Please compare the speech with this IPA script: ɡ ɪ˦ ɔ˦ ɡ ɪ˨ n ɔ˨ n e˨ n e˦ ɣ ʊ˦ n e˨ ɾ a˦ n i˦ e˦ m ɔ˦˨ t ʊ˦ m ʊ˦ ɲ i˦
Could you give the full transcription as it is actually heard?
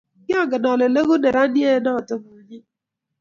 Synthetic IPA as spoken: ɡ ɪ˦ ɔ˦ ɡ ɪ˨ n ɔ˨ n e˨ n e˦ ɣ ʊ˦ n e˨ ɾ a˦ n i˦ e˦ n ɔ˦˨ t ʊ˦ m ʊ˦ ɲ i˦